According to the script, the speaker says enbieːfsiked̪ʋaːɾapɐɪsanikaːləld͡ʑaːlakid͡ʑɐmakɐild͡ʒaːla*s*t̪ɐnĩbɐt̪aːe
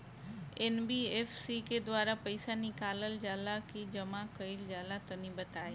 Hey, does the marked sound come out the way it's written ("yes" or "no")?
no